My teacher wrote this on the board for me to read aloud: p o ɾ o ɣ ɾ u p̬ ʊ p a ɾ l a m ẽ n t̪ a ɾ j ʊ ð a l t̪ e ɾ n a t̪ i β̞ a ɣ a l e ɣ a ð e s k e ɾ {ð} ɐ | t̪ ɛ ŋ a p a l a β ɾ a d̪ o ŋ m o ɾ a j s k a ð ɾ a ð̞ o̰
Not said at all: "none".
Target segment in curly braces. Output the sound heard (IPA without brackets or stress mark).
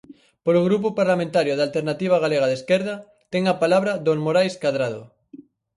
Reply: ð